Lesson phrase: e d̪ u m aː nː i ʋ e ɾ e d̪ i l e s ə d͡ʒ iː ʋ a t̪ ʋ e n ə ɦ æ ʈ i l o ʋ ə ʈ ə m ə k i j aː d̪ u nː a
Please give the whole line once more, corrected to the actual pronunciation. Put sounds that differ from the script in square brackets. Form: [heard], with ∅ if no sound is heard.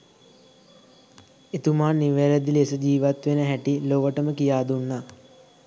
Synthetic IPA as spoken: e [t̪] u m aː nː i ʋ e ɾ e d̪ i l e s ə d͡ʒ iː ʋ a t̪ ʋ e n ə ɦ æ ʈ i l o ʋ ə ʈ ə m ə k i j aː d̪ u nː a